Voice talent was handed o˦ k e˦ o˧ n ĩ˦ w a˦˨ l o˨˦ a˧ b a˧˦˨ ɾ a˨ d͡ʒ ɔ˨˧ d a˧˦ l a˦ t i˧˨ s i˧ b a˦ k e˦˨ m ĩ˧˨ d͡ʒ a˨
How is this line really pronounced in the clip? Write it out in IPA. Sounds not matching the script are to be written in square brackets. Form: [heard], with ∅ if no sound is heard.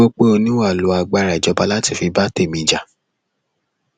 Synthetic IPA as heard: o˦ [k͡p] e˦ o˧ n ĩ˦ w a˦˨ l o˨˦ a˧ [ɡ͡b] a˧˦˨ ɾ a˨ d͡ʒ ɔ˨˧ [b] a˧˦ l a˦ t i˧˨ [f] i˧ b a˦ [t] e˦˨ m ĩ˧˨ d͡ʒ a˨